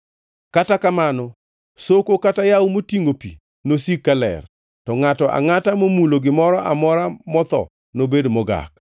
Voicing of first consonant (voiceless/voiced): voiceless